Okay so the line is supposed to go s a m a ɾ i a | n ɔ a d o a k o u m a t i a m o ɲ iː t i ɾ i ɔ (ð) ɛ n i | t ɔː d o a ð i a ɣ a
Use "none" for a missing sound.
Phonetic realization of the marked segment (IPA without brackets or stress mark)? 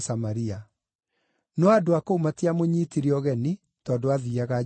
ɣ